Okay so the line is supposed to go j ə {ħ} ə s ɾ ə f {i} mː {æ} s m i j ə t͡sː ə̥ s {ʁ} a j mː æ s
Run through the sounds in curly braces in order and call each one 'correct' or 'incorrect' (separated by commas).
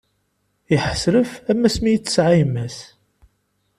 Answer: correct, incorrect, correct, incorrect